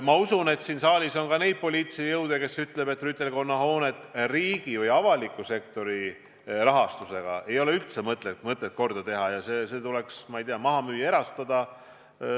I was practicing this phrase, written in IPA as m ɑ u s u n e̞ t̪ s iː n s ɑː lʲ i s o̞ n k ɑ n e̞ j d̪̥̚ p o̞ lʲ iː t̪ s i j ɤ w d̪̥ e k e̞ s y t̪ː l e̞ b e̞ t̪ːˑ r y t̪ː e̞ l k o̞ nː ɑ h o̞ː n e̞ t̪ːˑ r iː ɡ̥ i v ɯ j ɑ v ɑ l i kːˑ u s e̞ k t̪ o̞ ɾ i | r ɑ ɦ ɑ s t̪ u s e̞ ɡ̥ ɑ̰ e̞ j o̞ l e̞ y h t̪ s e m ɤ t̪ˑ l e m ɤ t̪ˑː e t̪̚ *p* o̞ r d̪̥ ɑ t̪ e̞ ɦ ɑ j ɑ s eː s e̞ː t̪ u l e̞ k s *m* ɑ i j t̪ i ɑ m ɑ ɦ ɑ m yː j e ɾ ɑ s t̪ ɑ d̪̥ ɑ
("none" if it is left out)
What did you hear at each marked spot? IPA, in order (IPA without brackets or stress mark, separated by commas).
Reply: k, m